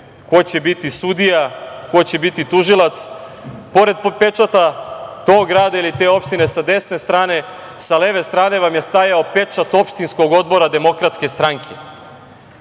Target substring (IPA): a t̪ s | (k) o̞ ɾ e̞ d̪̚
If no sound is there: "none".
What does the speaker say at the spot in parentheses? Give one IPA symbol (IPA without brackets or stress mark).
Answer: p